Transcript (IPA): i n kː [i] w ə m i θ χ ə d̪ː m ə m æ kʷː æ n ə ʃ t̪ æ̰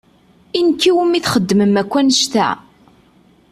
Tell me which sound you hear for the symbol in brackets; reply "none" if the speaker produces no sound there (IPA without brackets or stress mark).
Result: i